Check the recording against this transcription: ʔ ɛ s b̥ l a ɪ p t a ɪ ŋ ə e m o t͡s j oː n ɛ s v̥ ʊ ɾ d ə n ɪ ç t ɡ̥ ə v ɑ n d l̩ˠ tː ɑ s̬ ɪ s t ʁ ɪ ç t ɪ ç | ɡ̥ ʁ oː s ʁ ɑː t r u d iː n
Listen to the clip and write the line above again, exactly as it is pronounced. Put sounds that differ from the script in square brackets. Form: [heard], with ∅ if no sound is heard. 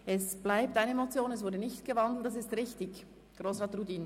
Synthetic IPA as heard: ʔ ɛ s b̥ l a ɪ p t a ɪ [n] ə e m o t͡s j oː n ɛ s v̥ ʊ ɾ d ə n ɪ ç t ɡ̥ ə v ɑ n d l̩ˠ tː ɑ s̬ ɪ s t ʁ ɪ ç t ɪ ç | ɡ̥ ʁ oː s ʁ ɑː t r u d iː n